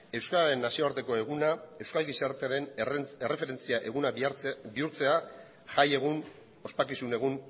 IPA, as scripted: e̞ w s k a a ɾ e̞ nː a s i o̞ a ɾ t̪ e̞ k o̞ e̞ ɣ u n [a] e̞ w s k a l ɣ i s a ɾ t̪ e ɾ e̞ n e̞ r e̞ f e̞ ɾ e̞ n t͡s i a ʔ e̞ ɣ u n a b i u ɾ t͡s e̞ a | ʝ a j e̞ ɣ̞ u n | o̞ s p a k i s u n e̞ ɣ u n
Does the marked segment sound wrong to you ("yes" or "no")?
no